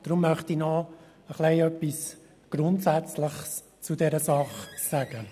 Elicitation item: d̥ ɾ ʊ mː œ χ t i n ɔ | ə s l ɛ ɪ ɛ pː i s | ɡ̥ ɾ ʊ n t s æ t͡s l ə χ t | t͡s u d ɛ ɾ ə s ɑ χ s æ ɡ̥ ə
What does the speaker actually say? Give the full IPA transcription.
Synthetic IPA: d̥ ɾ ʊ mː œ χ t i n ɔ | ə χ l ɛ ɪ œ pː i s | ɡ̥ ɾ ʊ n t s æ t͡s l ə χ s | t͡s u d ɛ ɾ ə s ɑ χ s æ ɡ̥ ə